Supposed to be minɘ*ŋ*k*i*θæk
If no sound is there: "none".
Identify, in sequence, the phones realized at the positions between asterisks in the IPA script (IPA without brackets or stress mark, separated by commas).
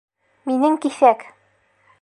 ŋ, i